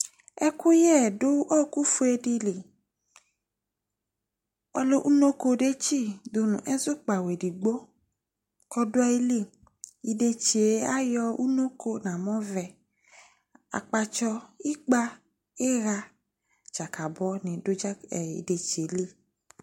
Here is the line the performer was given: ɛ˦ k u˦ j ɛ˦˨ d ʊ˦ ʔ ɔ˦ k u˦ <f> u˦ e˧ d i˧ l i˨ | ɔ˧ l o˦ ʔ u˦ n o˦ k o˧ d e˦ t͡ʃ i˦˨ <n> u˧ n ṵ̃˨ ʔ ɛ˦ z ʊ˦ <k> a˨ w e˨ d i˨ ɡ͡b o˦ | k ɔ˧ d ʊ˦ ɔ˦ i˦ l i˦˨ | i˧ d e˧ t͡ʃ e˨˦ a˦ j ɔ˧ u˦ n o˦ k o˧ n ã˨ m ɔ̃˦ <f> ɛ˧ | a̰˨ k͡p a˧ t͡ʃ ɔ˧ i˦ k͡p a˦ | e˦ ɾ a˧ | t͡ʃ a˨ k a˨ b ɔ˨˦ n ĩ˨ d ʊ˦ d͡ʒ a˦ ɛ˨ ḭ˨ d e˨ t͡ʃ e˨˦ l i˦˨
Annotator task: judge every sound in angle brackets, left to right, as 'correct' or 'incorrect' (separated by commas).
correct, incorrect, incorrect, incorrect